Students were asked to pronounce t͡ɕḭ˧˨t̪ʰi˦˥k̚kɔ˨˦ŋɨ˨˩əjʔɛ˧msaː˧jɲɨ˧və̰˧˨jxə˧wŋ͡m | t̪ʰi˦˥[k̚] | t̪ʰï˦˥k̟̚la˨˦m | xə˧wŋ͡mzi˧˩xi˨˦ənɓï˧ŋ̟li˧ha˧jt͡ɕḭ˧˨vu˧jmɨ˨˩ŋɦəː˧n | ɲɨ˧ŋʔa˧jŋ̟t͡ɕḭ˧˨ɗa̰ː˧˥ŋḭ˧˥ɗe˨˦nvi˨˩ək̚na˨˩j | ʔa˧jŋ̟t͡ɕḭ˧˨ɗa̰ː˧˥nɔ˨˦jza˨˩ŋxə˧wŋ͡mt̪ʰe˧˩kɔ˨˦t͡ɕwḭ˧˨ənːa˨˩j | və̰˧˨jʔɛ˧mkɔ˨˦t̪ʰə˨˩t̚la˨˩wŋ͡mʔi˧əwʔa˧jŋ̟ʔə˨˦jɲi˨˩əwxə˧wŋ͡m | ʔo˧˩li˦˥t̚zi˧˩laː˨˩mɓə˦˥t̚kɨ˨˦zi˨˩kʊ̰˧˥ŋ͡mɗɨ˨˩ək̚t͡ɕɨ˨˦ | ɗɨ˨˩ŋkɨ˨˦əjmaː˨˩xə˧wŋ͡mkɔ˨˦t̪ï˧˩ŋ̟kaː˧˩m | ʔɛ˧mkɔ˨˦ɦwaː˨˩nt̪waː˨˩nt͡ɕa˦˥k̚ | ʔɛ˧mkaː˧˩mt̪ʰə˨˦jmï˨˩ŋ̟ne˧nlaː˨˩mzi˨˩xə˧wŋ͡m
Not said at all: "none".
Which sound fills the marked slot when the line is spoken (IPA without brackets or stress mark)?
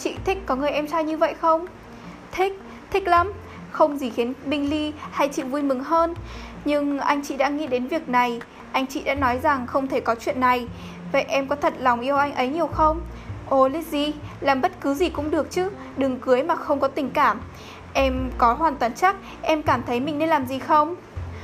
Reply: k̚